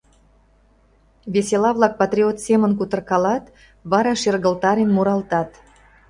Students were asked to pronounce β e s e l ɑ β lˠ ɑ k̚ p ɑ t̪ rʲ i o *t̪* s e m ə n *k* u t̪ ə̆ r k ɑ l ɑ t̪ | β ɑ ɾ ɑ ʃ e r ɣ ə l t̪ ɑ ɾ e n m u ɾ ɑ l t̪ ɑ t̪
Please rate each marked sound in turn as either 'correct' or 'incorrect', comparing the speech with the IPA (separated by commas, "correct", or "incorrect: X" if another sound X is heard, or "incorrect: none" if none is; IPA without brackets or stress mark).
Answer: correct, correct